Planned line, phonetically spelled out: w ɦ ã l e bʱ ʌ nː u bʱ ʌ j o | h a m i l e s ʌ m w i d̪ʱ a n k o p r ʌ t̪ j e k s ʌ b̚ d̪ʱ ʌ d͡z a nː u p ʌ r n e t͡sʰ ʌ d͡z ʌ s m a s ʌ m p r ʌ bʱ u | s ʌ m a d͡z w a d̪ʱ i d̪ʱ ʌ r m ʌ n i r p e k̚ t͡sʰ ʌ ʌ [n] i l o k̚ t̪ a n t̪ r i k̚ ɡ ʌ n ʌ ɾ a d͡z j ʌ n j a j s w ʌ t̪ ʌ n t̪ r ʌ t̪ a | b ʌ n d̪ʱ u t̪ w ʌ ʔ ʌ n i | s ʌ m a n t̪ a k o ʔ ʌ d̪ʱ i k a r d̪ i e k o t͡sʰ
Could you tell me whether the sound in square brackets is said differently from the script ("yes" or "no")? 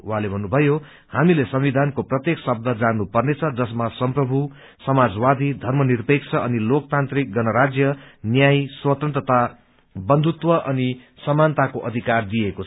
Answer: no